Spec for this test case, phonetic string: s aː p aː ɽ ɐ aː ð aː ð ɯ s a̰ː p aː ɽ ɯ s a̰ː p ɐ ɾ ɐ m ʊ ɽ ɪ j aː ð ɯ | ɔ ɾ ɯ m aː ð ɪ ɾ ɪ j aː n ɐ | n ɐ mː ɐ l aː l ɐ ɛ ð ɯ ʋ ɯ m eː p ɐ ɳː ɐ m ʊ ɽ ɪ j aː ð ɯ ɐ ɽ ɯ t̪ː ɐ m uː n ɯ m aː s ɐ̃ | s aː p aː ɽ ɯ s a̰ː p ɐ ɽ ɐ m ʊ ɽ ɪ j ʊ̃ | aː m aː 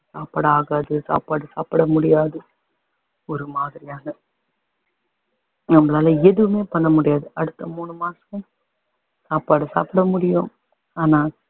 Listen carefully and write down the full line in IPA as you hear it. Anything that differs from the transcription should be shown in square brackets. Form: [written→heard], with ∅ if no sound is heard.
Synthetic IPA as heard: s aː p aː ɽ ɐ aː [ð→ɣ] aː ð ɯ s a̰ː p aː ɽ ɯ s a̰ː p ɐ [ɾ→ɽ] ɐ m ʊ ɽ ɪ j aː ð ɯ | ɔ ɾ ɯ m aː ð ɪ ɾ ɪ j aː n ɐ | n ɐ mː ɐ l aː l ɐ ɛ ð ɯ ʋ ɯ m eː p ɐ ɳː ɐ m ʊ ɽ ɪ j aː ð ɯ ɐ ɽ ɯ t̪ː ɐ m uː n ɯ m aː s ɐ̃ | s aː p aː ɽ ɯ s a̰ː p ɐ ɽ ɐ m ʊ ɽ ɪ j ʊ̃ | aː [m→n] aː

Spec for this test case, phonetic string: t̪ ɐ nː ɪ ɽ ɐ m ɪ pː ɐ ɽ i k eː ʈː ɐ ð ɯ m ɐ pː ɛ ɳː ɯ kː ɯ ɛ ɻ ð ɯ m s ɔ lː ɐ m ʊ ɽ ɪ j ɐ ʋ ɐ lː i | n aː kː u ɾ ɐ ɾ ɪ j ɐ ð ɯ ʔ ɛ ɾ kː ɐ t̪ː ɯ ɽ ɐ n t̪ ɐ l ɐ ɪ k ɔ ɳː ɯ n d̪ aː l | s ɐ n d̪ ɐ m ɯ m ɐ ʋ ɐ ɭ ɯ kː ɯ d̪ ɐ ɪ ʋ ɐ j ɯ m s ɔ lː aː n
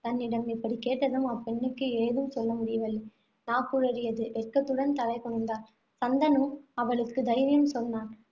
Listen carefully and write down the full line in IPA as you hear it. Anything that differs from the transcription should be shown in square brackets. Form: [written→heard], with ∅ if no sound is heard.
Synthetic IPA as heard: t̪ ɐ nː ɪ ɽ ɐ m ɪ pː ɐ ɽ i k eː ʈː ɐ ð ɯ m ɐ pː ɛ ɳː ɯ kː ɯ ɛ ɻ ð ɯ m s ɔ lː ɐ m ʊ ɽ ɪ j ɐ ʋ ɐ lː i | n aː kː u ɾ ɐ ɾ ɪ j ɐ ð ɯ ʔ ɛ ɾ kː ɐ t̪ː ɯ ɽ ɐ n t̪ ɐ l ɐ ɪ k ɔ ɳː ɯ n d̪ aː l | s ɐ n d̪ ɐ [m→n] ɯ m ɐ ʋ ɐ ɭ ɯ kː ɯ d̪ ɐ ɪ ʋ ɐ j ɯ m s ɔ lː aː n

